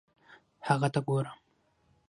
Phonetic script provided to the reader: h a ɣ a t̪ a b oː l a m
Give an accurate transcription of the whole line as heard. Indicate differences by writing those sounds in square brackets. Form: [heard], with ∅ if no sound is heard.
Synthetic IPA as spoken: h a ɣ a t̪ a [ɡ] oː [ɾ] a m